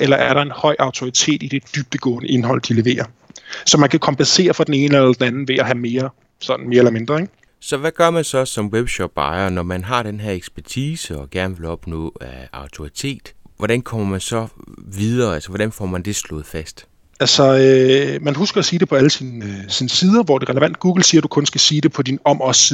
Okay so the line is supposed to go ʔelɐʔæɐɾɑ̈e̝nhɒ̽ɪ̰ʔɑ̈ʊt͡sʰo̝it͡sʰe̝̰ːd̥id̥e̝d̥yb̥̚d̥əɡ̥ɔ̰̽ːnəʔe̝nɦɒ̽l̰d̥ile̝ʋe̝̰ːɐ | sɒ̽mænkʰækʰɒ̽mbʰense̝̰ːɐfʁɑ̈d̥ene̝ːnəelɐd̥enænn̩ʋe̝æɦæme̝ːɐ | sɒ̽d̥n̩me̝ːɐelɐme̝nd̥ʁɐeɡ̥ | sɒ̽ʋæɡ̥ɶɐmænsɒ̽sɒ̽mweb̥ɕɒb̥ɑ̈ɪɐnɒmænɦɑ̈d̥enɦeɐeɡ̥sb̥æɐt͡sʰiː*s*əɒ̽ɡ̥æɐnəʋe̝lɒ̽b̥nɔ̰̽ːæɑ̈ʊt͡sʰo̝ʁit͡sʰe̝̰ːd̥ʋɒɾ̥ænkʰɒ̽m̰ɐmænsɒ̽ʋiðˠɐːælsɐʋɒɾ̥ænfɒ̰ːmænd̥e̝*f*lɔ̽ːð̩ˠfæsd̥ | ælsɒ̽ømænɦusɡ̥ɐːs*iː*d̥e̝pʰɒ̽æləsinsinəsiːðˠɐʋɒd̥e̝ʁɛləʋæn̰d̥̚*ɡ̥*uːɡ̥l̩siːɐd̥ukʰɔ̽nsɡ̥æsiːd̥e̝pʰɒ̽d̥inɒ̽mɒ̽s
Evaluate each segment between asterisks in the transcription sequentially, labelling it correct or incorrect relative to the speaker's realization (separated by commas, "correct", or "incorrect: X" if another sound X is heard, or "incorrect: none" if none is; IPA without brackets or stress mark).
correct, incorrect: s, correct, correct